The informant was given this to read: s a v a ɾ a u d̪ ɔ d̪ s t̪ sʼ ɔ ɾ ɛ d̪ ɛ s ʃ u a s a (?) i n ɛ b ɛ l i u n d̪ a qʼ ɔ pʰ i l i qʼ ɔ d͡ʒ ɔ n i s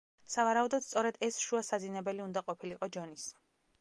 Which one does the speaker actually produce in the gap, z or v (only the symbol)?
z